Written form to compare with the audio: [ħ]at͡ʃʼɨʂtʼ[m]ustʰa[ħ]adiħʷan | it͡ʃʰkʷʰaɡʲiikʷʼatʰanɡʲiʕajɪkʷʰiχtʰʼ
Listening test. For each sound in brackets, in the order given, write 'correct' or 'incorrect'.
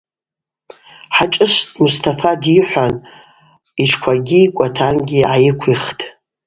correct, correct, incorrect: f

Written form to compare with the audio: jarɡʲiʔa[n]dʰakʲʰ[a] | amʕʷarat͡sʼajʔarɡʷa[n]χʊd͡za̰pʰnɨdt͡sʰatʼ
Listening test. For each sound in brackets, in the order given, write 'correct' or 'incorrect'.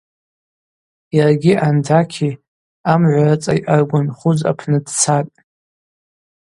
correct, incorrect: i, correct

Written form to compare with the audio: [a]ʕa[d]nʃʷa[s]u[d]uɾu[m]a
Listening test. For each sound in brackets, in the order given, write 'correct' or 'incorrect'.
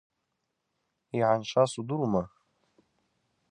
incorrect: i, incorrect: none, correct, correct, correct

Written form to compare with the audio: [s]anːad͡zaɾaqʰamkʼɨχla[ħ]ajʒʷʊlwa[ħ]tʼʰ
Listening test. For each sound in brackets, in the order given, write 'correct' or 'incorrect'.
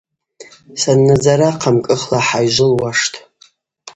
correct, correct, incorrect: ʂ

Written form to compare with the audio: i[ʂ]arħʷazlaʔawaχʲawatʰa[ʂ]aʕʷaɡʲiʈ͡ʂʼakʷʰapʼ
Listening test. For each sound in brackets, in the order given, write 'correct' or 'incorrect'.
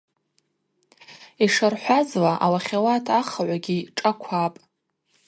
correct, incorrect: χ

